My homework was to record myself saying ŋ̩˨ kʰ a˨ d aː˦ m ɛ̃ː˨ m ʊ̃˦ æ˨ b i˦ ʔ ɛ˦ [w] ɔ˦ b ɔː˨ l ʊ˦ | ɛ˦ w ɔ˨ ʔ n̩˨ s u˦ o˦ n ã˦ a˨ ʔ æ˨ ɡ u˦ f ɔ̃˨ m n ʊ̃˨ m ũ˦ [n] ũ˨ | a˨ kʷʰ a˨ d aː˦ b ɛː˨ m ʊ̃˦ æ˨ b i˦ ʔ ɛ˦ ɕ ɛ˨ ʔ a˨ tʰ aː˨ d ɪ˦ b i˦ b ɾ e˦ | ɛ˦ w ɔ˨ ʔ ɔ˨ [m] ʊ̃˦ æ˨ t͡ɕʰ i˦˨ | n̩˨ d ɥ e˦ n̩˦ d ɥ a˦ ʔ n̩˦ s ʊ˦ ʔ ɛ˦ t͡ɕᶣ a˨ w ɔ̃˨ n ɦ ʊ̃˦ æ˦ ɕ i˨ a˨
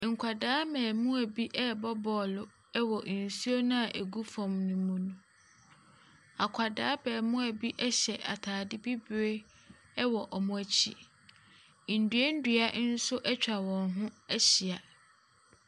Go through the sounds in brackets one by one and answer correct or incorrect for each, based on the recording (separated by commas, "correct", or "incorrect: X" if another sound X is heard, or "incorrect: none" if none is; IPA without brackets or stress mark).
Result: incorrect: b, correct, correct